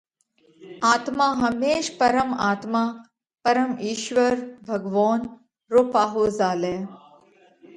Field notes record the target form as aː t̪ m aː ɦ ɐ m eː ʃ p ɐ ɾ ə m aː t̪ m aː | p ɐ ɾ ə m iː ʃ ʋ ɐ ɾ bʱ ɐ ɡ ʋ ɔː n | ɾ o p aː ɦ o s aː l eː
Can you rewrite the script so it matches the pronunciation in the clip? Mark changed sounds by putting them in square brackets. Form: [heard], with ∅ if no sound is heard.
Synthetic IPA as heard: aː t̪ m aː ɦ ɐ m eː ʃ p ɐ ɾ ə m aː t̪ m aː | p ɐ ɾ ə m iː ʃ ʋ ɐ ɾ bʱ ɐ ɡ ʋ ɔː n | ɾ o p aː ɦ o [z] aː l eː